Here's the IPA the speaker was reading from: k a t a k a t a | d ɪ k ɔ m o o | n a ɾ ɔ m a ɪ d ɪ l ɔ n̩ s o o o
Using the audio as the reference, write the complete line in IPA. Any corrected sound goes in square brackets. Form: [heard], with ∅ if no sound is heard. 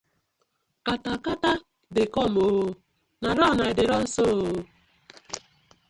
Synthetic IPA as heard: k a t a k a t a | d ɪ k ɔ m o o | n a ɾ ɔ [n] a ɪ d ɪ [ɾ] ɔ n̩ s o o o